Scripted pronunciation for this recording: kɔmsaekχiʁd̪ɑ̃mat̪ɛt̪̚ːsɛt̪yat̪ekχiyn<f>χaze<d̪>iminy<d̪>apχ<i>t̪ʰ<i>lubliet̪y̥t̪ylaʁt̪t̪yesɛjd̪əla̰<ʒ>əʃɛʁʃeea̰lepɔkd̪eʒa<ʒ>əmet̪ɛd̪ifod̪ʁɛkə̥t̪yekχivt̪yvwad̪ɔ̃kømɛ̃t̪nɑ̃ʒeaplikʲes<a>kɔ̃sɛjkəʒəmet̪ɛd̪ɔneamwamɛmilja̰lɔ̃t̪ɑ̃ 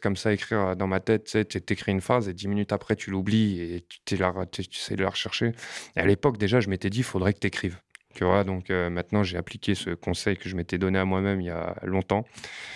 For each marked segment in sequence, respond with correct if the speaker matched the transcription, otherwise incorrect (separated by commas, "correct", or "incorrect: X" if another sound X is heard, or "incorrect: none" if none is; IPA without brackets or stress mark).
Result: correct, correct, incorrect: t̪, incorrect: ɛ, incorrect: y, incorrect: ʁ, correct, incorrect: ə